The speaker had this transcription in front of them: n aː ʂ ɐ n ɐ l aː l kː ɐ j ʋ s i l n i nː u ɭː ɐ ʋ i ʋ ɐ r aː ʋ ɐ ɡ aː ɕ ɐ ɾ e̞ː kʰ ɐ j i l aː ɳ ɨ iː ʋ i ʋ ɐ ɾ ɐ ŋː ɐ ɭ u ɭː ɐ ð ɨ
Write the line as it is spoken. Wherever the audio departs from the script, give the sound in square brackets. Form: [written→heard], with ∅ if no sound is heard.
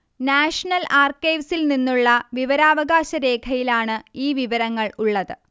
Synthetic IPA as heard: n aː ʂ ɐ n ɐ l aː [l→r] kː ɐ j ʋ s i l n i nː u ɭː ɐ ʋ i ʋ ɐ [r→ɾ] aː ʋ ɐ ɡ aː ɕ ɐ ɾ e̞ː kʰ ɐ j i l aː ɳ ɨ iː ʋ i ʋ ɐ ɾ ɐ ŋː ɐ ɭ u ɭː ɐ ð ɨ